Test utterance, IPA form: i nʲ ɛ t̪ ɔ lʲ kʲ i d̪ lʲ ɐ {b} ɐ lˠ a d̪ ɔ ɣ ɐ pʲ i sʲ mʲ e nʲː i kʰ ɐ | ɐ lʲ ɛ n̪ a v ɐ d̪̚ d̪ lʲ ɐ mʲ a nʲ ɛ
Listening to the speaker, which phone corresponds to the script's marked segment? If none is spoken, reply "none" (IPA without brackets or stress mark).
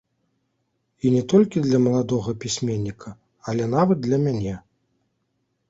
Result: m